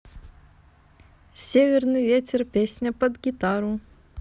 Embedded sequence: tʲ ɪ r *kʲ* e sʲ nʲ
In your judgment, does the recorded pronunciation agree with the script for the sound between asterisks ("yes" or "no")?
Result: no